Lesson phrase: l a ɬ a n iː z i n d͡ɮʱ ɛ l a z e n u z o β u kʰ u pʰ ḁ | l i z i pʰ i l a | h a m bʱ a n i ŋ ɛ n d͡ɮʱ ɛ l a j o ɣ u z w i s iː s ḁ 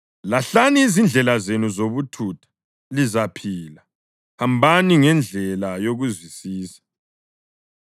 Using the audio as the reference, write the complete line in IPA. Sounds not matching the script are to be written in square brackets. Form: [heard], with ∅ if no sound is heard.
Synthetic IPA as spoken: l a ɬ a n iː z i n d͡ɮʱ ɛ l a z e n u z o β u [tʰ] u [tʰ] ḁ | l i z [a] pʰ i l a | h a m bʱ a n i ŋ ɛ n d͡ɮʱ ɛ l a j o ɣ u z w i s iː s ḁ